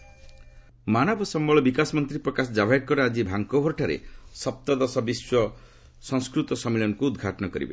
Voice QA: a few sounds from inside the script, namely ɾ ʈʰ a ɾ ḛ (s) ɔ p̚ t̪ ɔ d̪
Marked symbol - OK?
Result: yes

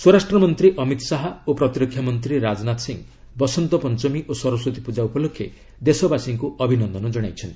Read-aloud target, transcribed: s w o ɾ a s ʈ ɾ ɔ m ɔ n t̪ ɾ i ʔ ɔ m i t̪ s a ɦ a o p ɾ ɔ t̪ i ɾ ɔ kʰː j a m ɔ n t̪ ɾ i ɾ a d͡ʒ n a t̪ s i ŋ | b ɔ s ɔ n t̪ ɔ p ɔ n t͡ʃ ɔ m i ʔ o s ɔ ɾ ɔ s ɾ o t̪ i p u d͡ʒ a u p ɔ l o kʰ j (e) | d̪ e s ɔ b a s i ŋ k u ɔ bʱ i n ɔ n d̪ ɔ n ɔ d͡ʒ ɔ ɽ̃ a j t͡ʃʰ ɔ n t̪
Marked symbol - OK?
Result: yes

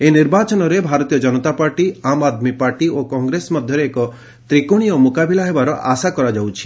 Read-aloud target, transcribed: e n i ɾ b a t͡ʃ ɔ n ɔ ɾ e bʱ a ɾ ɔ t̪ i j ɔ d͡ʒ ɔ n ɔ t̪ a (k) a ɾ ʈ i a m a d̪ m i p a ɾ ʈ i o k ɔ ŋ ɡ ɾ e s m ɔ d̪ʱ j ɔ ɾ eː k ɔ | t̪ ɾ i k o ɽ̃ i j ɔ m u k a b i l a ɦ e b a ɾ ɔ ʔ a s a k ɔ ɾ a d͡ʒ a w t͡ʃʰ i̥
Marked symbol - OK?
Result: no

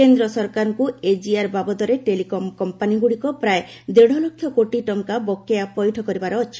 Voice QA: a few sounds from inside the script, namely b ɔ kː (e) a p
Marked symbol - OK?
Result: yes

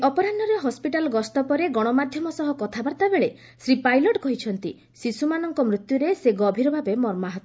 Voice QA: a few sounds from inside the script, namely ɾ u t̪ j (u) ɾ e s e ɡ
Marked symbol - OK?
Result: yes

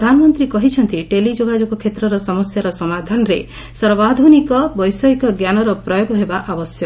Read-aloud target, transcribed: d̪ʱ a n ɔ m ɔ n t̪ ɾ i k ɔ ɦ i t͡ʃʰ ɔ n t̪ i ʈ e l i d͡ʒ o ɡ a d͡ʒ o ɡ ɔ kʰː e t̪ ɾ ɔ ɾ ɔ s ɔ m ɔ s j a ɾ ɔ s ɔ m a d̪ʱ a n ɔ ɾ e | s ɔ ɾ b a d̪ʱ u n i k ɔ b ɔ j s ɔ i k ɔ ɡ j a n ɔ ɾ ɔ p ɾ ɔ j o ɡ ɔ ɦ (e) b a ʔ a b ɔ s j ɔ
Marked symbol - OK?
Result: yes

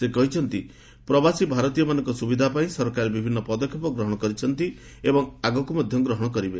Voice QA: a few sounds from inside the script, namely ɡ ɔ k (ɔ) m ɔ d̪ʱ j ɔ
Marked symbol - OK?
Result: no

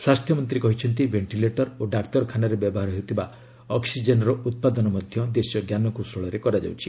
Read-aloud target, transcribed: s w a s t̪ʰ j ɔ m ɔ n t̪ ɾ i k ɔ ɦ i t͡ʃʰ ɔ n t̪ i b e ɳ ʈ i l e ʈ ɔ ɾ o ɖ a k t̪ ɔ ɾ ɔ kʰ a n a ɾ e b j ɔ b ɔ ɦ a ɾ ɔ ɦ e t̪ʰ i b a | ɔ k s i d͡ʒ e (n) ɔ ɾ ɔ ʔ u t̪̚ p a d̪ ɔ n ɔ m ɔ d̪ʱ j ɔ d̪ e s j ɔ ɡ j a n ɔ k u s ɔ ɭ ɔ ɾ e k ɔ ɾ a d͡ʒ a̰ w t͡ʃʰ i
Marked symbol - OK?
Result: yes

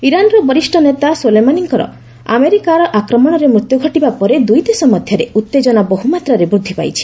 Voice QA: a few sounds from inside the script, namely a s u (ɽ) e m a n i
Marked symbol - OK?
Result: no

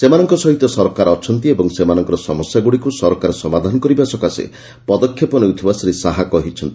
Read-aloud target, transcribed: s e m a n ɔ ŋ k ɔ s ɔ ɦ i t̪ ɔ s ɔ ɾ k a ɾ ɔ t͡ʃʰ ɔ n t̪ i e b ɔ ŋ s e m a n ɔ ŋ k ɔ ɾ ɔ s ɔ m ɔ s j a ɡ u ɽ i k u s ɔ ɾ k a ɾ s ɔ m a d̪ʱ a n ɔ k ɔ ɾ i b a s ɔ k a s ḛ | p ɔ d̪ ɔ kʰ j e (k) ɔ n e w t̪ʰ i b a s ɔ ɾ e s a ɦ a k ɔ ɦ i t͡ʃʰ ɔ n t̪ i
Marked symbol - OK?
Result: no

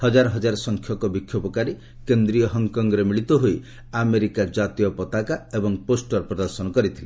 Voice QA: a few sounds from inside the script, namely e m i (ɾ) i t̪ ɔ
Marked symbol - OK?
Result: no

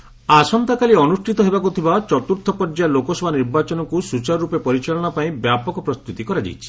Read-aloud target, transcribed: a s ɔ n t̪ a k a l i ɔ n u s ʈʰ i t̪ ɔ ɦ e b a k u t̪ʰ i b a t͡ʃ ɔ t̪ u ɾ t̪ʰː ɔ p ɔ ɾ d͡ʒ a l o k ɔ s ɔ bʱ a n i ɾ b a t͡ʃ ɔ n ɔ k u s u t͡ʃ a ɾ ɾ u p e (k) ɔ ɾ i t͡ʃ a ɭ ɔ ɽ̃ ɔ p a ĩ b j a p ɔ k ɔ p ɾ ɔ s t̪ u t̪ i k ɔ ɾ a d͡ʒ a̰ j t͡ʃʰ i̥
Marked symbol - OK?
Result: no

